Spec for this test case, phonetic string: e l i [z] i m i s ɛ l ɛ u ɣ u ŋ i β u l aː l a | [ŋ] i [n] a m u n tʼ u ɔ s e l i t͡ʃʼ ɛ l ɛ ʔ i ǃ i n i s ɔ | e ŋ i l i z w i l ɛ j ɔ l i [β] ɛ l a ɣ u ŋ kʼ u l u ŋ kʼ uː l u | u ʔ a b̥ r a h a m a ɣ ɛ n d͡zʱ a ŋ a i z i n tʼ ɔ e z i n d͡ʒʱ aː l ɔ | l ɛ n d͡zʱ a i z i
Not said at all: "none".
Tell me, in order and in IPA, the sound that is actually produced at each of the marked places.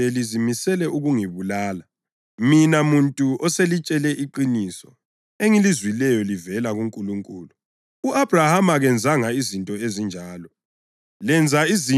z, m, n, v

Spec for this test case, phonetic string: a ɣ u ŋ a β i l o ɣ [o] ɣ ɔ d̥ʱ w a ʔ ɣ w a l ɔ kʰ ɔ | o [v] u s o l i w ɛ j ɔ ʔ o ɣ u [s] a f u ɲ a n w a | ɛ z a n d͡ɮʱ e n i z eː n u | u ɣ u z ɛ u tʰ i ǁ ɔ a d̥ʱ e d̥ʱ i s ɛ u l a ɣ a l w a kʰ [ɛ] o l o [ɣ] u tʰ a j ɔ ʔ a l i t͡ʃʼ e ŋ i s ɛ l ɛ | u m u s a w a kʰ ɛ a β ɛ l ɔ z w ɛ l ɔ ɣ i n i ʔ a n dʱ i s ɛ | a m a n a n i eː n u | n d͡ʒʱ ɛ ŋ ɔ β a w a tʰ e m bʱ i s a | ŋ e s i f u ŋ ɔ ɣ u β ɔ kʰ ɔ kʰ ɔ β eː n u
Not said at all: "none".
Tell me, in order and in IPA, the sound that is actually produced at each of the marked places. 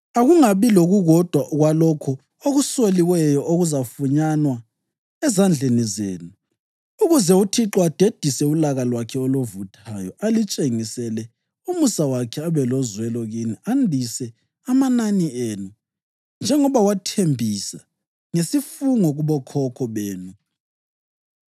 u, ɣ, z, ɛ, v

